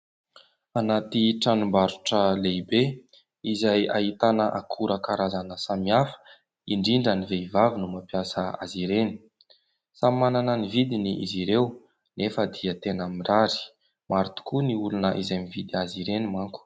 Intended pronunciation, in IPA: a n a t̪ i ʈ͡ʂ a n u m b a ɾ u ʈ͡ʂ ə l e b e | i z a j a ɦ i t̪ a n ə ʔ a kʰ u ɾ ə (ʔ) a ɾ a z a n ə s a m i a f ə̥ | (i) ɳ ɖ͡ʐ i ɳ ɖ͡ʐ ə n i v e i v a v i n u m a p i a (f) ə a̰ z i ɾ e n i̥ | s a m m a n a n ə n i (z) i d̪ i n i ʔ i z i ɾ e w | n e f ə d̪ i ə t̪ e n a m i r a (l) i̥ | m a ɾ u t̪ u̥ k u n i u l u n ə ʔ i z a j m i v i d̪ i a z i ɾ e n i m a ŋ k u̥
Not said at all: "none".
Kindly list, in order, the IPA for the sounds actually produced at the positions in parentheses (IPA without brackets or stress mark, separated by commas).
k, i, s, v, ɾ